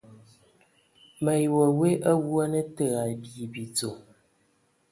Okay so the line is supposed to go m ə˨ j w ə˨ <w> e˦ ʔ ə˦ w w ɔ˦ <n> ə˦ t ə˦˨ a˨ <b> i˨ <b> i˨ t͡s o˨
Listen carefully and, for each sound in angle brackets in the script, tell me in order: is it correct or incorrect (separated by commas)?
correct, correct, correct, correct